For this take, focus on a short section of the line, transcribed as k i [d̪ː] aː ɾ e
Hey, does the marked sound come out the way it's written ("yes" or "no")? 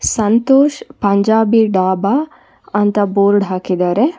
no